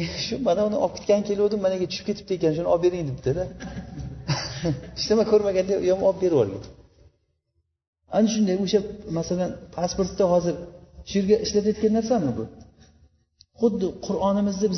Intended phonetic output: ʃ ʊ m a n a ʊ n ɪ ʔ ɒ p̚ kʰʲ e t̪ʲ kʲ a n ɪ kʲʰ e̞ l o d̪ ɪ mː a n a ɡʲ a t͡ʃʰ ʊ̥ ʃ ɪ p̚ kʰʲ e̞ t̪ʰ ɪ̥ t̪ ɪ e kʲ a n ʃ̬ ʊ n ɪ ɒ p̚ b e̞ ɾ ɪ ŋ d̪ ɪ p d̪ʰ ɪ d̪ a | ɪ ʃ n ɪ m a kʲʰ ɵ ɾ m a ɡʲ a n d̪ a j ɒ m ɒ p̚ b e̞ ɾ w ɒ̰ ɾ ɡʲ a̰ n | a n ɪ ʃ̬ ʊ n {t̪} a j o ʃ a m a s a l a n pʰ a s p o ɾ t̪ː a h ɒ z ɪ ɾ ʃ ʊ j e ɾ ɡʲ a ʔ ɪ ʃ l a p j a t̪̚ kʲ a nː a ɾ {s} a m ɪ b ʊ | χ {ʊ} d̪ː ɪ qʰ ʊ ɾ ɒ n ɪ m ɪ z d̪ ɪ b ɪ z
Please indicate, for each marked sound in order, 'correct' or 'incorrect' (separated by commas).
incorrect, correct, correct